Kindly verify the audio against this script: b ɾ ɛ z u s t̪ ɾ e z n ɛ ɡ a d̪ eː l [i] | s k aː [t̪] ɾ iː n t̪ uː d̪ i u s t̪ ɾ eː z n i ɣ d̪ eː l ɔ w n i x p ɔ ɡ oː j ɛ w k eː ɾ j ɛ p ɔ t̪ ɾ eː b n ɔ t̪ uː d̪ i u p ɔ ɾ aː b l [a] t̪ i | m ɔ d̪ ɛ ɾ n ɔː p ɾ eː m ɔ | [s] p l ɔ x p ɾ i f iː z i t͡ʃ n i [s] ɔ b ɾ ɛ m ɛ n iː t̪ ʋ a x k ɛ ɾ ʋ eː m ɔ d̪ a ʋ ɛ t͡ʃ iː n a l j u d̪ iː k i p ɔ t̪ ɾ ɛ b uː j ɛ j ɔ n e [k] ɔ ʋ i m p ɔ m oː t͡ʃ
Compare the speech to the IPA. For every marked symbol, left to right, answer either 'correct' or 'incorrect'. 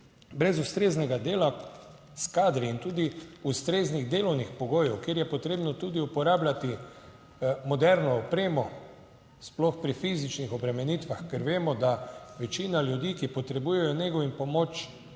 incorrect, incorrect, correct, correct, incorrect, incorrect

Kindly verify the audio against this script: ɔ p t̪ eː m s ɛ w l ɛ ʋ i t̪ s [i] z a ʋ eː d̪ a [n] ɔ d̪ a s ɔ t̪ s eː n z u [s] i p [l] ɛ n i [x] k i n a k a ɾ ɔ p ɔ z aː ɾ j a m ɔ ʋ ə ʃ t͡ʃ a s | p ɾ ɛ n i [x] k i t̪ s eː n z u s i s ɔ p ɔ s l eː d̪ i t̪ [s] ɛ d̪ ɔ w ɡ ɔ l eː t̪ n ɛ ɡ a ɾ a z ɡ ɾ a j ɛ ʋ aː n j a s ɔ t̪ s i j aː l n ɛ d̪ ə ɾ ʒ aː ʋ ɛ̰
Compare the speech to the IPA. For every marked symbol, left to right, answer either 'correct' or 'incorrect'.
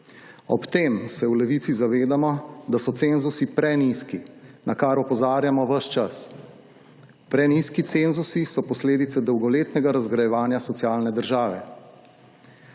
correct, incorrect, correct, incorrect, incorrect, incorrect, correct

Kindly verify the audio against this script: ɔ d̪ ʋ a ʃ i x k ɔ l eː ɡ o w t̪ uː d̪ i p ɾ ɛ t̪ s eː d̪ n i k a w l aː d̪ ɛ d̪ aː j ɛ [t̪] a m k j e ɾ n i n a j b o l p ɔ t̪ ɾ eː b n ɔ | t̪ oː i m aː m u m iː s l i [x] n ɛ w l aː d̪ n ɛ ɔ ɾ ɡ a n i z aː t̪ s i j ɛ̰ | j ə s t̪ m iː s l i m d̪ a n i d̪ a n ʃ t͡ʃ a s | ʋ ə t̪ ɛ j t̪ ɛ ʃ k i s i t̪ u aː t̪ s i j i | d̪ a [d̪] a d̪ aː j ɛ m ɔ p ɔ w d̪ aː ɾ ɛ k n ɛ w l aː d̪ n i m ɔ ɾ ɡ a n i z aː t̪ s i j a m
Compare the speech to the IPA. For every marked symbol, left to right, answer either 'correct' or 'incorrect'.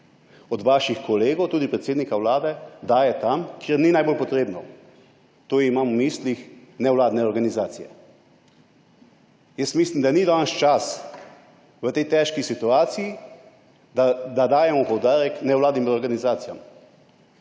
correct, correct, correct

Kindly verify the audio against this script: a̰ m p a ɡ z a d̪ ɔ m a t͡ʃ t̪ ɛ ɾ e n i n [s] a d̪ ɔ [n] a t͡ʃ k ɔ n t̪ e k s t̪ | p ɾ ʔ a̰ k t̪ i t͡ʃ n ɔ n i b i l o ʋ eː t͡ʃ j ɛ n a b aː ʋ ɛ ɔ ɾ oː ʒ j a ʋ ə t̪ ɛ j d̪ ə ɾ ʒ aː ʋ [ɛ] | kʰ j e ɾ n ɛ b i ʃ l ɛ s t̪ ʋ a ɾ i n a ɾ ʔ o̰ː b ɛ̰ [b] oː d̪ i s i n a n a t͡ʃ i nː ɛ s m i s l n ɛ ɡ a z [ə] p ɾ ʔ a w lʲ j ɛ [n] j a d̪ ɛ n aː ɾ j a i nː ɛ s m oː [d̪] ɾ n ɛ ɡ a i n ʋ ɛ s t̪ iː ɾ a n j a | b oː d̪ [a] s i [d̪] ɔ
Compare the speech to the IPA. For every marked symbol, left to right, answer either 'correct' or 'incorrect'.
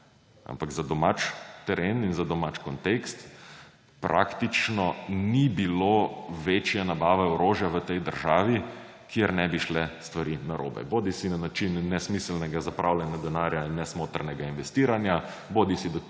incorrect, incorrect, incorrect, correct, incorrect, correct, incorrect, incorrect, correct

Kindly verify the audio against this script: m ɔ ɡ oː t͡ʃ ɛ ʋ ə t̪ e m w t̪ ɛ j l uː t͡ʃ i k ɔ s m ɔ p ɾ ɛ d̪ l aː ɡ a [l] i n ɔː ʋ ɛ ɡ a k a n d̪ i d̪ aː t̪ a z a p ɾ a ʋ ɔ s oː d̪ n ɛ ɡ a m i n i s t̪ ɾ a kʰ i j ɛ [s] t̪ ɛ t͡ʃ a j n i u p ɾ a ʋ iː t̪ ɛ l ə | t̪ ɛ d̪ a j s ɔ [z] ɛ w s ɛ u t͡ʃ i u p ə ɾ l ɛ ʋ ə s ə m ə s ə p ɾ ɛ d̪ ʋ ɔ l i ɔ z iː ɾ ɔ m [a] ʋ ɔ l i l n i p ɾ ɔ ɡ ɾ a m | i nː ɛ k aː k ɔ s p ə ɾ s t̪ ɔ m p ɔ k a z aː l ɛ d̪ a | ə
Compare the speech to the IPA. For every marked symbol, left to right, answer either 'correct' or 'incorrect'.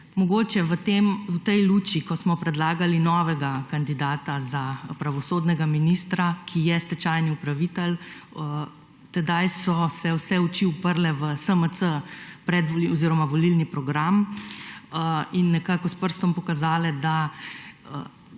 correct, correct, incorrect, correct

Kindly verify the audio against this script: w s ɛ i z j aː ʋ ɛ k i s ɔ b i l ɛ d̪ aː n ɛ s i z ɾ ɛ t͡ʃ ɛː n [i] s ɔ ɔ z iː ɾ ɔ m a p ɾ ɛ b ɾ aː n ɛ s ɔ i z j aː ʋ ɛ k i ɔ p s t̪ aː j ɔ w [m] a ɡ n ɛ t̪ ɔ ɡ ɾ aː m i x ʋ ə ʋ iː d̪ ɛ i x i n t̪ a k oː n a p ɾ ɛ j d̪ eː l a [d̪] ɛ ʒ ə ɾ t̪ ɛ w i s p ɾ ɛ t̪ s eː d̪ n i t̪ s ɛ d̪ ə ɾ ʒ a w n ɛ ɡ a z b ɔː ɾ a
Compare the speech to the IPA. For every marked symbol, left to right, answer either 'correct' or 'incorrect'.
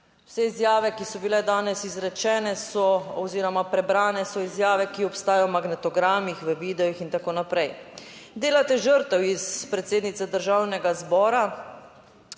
incorrect, correct, incorrect

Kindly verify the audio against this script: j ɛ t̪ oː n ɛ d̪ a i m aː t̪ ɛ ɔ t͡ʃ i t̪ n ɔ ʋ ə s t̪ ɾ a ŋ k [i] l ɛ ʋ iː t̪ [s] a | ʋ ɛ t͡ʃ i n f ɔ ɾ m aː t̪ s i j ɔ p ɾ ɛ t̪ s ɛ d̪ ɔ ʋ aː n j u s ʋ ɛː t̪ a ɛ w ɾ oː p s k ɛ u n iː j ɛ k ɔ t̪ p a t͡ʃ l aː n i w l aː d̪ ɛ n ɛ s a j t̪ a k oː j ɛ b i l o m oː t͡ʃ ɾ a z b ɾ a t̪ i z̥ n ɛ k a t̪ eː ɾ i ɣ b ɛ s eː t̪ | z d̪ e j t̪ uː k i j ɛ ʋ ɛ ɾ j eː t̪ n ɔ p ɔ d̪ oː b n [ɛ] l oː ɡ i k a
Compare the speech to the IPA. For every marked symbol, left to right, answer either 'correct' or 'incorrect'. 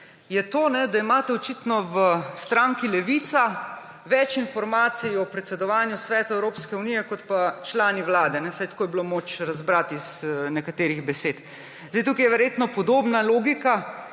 correct, correct, incorrect

